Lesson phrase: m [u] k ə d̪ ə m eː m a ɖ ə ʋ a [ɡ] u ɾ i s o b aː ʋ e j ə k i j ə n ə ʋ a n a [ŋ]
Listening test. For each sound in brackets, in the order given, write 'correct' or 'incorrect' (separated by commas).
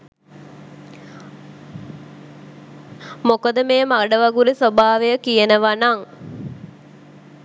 incorrect, correct, correct